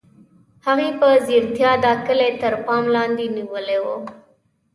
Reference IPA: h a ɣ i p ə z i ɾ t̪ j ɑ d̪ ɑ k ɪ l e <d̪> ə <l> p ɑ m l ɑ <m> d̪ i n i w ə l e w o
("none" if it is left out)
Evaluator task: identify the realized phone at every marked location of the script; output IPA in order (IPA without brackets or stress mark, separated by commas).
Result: t̪, ɾ, n